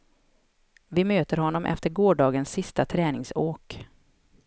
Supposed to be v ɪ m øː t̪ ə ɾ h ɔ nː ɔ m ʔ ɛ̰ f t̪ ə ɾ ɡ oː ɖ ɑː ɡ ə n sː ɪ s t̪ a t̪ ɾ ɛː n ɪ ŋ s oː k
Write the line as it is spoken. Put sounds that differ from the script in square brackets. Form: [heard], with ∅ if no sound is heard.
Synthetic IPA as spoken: v ɪ m øː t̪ ə ɾ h ɔ nː ɔ m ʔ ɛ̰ f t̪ ə ɾ ɡ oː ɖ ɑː ɡ ə n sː ɪ s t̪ a [t̪ʰ] ɾ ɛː n ɪ ŋ s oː k